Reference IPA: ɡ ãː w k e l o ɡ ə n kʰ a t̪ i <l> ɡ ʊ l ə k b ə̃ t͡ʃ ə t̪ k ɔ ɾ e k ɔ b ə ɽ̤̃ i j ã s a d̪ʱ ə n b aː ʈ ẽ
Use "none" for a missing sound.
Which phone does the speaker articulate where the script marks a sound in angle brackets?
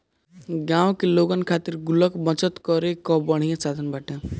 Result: ɾ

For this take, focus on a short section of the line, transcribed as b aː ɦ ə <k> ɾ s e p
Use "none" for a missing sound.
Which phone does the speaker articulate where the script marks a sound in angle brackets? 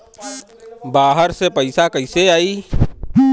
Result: none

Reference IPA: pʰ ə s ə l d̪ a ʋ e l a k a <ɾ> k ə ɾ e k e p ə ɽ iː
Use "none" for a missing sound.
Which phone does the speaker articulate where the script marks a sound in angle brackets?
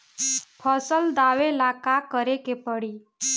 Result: none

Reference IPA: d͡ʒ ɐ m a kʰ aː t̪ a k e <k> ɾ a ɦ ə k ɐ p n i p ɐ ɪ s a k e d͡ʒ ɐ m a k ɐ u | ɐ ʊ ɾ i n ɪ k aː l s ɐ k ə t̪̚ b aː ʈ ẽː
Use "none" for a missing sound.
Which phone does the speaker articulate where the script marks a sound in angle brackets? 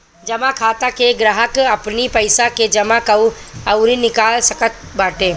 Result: ɡ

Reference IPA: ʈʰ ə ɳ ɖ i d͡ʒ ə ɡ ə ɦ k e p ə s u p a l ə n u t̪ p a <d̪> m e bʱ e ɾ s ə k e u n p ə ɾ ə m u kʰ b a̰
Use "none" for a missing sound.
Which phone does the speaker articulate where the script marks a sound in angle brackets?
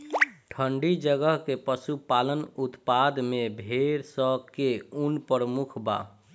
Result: d̪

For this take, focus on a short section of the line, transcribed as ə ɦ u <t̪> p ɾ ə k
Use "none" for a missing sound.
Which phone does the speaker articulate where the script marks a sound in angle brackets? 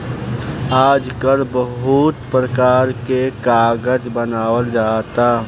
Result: t̪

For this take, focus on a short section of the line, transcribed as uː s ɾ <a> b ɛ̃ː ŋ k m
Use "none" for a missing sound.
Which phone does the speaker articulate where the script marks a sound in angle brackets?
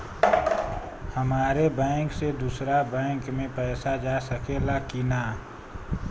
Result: a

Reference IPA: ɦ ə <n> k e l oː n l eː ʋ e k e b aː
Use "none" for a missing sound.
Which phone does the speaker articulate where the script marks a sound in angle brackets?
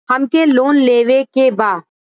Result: m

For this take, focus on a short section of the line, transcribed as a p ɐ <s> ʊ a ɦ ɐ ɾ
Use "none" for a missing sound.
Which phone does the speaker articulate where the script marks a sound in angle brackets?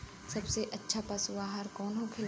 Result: s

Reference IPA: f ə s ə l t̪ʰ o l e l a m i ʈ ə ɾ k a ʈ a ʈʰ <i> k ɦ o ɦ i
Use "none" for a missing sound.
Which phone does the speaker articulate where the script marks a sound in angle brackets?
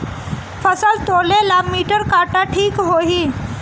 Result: iː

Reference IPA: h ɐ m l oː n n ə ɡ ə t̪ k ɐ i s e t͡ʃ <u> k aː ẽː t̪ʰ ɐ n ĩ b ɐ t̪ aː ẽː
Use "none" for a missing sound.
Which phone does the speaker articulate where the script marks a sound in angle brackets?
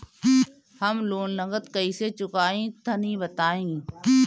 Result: ʊ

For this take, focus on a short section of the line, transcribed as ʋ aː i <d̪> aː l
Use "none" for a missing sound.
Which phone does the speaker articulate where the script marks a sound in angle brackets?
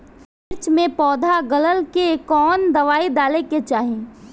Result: d̪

